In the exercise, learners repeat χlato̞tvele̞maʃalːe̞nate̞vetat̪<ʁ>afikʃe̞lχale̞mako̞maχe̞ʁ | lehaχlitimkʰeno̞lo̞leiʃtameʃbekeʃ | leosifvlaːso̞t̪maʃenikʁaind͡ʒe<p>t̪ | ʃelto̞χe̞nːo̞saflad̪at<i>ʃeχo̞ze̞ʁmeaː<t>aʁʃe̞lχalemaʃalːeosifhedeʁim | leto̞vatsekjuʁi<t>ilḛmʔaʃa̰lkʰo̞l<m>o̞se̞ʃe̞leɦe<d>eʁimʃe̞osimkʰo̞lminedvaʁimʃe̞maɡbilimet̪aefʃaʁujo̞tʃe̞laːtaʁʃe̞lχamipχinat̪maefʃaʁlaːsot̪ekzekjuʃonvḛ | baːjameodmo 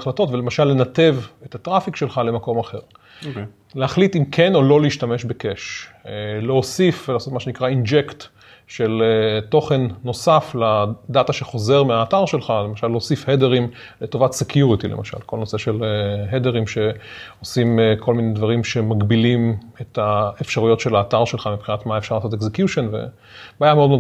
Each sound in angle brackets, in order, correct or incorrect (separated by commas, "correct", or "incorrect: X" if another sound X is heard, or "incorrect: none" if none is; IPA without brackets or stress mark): correct, incorrect: k, incorrect: a, correct, correct, incorrect: n, correct